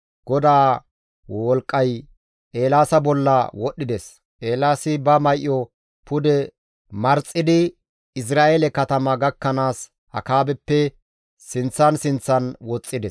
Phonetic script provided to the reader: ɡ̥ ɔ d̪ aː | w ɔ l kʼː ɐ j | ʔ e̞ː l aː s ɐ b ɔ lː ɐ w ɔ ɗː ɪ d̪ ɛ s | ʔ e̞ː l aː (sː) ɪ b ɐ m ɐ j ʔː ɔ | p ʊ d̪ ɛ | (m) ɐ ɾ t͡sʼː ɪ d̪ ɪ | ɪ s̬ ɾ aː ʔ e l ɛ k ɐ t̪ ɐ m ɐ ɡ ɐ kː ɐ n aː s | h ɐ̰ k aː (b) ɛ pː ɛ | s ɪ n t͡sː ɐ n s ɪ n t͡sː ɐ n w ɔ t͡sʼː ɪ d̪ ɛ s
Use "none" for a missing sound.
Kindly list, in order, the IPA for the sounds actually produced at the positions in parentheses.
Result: s, m, b

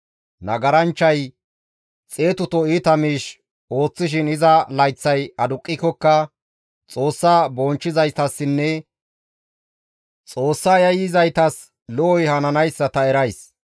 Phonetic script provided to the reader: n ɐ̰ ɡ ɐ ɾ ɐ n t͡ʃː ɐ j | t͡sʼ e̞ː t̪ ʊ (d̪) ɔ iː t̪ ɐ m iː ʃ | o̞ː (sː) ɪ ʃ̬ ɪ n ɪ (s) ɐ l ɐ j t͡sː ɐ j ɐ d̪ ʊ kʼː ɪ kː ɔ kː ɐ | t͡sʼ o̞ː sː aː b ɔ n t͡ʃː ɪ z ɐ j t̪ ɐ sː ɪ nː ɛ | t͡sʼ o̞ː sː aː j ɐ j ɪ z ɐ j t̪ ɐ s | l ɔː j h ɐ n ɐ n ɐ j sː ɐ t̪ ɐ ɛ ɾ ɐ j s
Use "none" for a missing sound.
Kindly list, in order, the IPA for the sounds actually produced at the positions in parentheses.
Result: t̪, t͡sː, z

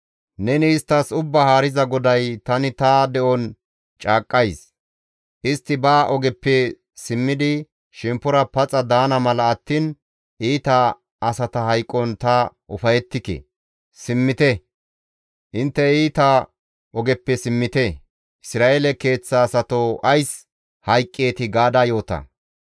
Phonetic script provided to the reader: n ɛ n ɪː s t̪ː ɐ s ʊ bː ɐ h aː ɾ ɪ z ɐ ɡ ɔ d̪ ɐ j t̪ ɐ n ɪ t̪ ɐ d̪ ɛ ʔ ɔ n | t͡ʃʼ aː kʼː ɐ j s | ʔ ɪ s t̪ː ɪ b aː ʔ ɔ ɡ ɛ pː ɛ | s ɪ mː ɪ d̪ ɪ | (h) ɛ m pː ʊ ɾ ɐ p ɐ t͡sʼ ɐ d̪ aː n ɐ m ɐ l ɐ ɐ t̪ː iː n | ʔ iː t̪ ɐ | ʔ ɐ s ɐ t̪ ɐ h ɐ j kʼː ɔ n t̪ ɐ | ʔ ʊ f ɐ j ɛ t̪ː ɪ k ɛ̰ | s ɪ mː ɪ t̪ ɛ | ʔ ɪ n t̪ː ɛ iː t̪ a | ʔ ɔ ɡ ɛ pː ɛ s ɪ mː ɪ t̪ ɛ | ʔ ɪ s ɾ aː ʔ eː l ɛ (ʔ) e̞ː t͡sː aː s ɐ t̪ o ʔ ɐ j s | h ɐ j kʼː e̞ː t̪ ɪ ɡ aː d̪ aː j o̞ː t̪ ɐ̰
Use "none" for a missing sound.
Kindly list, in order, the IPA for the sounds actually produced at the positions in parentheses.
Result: ʃ, k

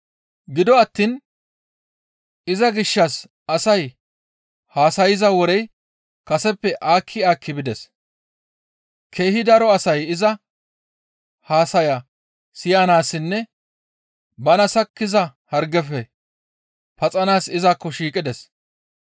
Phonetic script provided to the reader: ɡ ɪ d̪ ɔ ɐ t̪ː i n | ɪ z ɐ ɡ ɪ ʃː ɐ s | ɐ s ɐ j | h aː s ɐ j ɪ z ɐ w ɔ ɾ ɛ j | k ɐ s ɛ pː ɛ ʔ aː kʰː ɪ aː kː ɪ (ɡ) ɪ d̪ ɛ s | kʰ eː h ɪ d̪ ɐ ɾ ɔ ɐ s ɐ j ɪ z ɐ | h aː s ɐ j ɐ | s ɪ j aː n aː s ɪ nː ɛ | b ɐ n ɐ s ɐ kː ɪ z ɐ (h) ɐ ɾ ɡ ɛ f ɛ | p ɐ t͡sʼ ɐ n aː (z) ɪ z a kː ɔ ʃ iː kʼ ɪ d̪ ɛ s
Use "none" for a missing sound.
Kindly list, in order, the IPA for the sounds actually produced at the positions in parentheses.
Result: b, h, s

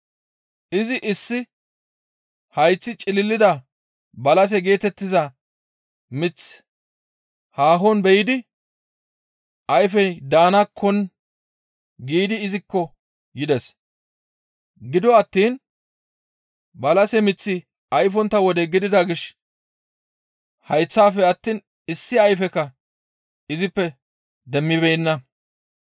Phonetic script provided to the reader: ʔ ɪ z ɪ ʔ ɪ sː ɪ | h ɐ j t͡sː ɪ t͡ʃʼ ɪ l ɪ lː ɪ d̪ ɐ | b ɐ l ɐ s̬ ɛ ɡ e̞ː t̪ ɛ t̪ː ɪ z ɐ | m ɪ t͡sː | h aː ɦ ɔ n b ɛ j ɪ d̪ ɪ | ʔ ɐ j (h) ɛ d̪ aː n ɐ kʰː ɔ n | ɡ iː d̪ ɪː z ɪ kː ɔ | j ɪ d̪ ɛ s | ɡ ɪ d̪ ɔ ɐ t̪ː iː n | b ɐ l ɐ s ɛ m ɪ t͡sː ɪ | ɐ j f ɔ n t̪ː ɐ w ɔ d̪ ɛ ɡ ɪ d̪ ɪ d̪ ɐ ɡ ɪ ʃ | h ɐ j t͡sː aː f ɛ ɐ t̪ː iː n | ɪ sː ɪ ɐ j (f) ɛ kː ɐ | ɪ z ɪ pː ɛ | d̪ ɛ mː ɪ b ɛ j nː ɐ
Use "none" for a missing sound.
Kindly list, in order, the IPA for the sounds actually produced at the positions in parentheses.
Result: f, f

